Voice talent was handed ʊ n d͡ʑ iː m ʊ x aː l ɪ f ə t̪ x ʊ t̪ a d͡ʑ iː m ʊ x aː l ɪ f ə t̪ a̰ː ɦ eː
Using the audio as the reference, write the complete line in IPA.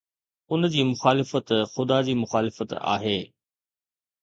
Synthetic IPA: ʊ n d͡ʑ iː m ʊ x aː l ɪ f ə t̪ x ʊ d̪ a d͡ʑ iː m ʊ x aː l ɪ f ə t̪ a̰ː ɦ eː